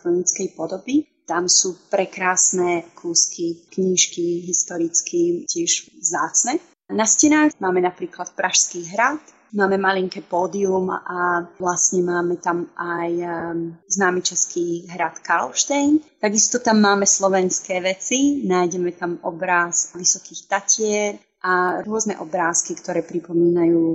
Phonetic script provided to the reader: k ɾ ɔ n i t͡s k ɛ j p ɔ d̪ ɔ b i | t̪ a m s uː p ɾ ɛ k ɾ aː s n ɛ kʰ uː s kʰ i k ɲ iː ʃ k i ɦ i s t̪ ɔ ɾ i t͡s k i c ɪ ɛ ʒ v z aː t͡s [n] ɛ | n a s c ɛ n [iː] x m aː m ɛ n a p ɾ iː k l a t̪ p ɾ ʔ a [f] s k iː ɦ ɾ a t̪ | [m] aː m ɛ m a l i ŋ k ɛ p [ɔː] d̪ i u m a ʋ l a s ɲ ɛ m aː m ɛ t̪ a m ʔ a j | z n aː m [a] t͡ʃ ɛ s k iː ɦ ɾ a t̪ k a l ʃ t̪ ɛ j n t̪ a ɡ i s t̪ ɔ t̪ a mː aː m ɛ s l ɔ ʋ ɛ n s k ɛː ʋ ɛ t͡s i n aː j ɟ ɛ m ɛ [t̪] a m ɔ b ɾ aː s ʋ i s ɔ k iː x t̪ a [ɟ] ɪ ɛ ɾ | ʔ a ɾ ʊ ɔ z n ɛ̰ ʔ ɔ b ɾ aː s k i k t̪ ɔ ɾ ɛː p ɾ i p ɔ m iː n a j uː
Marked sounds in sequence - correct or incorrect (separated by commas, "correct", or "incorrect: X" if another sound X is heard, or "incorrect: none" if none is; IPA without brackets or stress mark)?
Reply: correct, incorrect: aː, incorrect: ʃ, correct, correct, incorrect: ɛ, correct, incorrect: c